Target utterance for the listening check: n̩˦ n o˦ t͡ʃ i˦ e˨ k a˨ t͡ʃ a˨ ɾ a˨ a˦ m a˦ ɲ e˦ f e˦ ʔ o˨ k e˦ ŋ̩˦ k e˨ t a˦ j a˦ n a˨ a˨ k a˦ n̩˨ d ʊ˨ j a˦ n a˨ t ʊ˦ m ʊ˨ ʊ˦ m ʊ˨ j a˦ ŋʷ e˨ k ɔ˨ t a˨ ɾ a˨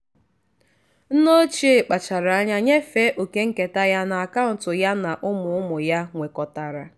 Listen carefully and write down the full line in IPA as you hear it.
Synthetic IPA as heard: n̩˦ n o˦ t͡ʃ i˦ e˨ k͡p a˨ t͡ʃ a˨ ɾ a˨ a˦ ɲ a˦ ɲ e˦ f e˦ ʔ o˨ k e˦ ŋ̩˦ k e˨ t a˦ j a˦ n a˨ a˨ k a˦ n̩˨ t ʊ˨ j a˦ n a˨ ʔ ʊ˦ m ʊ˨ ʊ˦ m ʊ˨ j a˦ ŋʷ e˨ k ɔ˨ t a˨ ɾ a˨